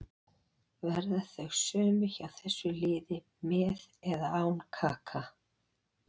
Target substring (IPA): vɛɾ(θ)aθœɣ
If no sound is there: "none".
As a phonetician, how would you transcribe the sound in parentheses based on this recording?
ð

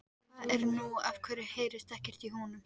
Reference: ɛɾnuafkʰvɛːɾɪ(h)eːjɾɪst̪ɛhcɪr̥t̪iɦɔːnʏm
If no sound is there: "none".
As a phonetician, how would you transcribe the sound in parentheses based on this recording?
h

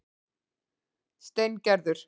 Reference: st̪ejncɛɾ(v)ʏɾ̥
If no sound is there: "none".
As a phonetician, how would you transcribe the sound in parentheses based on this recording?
ð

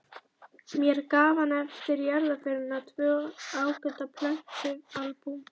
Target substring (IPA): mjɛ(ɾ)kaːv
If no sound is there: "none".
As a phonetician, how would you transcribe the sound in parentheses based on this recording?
ɾ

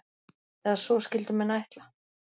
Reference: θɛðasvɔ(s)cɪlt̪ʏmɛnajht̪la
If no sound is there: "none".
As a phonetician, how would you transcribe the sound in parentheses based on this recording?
s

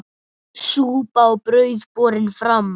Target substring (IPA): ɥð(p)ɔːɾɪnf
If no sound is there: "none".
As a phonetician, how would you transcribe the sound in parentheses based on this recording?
p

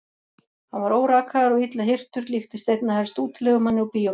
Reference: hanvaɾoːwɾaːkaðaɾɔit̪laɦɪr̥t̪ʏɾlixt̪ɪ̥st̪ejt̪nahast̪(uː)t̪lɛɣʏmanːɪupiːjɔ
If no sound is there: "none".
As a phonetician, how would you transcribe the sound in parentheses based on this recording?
uː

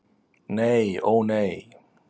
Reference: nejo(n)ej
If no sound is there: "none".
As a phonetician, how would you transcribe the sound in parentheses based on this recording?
n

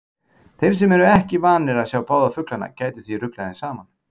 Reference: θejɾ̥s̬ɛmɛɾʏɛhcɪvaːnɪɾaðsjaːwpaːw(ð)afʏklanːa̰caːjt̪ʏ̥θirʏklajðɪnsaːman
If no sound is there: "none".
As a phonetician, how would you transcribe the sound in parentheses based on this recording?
ð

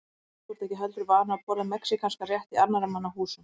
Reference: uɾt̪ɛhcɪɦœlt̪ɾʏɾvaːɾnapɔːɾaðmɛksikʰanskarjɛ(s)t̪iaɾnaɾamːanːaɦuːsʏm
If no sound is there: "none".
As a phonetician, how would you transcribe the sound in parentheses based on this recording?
h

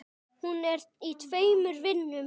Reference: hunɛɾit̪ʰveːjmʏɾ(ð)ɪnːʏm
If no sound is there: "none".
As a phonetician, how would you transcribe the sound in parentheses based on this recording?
v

